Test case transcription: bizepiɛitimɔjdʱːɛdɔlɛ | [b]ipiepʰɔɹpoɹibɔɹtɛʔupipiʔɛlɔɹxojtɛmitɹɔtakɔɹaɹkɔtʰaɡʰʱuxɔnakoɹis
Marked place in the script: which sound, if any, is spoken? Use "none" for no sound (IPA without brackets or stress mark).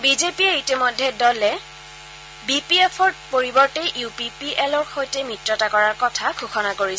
b